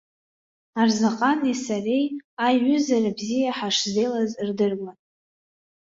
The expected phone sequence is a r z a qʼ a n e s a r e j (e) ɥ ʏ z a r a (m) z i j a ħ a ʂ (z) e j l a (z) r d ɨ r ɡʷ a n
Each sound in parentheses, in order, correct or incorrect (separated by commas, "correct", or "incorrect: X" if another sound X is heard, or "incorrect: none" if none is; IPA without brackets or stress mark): incorrect: a, incorrect: b, correct, correct